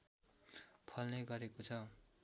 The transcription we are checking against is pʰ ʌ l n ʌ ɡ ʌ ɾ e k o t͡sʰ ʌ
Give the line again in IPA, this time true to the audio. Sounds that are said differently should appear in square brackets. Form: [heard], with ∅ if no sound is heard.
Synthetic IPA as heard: pʰ ʌ l n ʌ ɡ ʌ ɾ e k o t͡sʰ ʌ